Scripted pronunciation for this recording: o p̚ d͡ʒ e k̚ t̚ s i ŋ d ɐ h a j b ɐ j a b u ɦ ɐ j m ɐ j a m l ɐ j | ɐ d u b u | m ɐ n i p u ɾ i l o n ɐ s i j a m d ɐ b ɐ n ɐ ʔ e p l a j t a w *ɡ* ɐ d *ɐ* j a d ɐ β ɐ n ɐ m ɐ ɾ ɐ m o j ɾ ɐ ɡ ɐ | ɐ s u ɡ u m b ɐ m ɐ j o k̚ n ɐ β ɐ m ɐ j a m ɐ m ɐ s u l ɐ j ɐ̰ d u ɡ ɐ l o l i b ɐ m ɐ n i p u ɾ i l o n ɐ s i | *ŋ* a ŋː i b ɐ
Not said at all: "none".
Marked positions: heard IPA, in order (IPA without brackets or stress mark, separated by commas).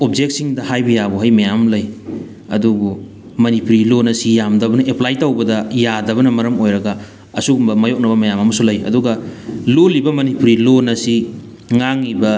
b, ɐ, ŋ